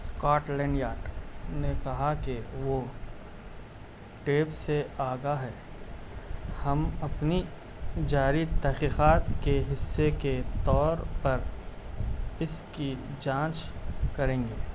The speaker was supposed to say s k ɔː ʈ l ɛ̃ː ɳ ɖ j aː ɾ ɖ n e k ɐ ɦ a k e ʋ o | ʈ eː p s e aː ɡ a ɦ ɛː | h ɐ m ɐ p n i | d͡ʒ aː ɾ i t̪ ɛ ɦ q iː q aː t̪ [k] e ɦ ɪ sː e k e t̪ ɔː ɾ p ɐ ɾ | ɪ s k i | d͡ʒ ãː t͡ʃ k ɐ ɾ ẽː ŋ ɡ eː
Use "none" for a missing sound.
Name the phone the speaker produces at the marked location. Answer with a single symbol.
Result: k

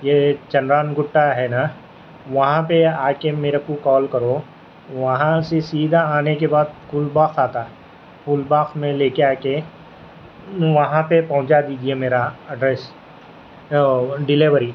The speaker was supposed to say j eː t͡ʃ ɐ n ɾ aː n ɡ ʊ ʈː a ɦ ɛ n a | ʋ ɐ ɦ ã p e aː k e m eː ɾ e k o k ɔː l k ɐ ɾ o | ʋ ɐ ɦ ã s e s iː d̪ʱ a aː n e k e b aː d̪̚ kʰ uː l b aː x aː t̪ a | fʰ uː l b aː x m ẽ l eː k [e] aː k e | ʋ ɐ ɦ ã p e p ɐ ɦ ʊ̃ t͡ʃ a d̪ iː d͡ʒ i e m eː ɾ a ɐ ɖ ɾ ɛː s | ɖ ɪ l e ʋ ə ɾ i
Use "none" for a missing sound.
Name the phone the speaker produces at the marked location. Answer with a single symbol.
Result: e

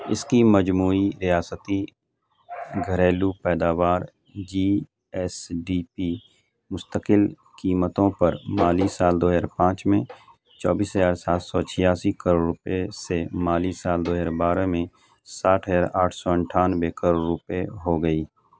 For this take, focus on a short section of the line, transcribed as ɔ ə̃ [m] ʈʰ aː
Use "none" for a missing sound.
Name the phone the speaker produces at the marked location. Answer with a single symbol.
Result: ɳ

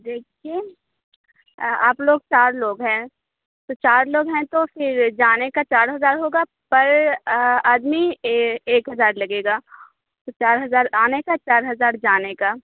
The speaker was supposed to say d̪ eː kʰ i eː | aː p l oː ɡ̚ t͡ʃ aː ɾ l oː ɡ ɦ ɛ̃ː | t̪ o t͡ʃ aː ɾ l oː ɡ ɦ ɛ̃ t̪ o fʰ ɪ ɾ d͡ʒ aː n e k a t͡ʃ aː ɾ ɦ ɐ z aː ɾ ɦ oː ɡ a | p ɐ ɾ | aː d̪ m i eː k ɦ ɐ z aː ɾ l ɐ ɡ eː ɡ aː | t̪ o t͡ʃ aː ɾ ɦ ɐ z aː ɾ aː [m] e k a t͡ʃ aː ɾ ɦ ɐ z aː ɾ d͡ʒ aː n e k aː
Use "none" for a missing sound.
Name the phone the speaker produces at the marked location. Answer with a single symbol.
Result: n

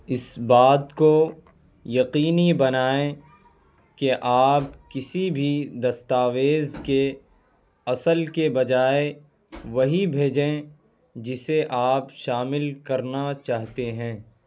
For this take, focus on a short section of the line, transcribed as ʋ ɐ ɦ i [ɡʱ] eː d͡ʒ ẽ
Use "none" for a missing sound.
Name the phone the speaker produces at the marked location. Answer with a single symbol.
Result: bʱ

